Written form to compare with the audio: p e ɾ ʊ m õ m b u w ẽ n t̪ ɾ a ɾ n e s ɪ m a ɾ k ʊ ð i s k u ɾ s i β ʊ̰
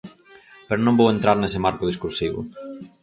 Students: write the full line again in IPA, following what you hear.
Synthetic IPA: p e ɾ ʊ n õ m b o w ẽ n t̪ ɾ a ɾ n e s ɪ m a ɾ k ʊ ð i s k u ɾ s i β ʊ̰